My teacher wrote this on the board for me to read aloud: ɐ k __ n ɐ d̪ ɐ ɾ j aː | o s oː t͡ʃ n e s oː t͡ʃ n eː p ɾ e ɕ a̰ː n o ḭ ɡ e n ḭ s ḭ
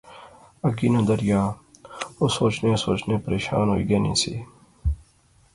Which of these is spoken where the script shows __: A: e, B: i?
B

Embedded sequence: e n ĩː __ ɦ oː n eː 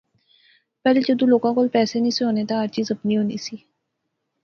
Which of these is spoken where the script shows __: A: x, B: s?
B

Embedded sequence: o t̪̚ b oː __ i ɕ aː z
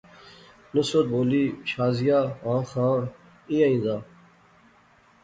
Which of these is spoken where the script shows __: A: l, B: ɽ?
A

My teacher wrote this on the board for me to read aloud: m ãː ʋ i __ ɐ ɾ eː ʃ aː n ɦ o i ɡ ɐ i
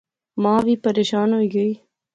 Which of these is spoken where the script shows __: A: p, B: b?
A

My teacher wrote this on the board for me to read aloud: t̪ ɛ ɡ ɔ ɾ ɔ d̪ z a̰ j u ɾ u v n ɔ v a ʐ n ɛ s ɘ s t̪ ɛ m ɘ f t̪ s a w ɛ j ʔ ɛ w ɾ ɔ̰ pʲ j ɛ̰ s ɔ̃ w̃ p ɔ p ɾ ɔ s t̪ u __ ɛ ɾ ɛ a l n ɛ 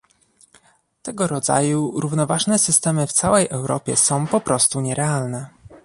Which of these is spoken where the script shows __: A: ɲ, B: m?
A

